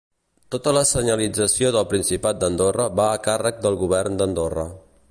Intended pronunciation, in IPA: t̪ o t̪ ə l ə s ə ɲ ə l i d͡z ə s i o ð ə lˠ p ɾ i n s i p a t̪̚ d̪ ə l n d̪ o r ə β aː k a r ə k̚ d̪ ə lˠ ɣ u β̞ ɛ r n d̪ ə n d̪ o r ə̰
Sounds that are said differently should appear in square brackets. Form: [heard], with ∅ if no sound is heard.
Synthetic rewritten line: t̪ o t̪ ə l ə s ə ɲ ə l i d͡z ə s i o ð ə lˠ p ɾ i n s i p a t̪̚ d̪ ə [∅] n d̪ o r ə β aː k a r ə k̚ d̪ ə lˠ ɣ u β̞ ɛ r n d̪ ə n d̪ o r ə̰